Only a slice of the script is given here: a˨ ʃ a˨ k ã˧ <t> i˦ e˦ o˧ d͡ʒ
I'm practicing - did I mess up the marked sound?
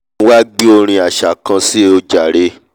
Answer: yes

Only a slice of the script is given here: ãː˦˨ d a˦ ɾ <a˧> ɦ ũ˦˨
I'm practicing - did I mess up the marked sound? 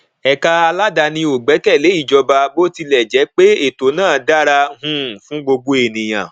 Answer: no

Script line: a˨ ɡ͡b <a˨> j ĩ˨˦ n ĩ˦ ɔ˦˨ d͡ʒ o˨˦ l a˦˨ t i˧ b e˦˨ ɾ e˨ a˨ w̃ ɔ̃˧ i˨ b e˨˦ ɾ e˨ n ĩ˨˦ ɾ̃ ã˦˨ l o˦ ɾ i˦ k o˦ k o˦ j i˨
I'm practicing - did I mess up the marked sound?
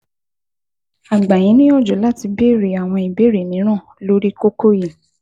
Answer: no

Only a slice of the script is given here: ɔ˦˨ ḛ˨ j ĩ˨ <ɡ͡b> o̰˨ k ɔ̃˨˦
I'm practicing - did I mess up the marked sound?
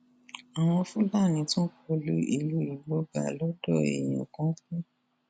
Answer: yes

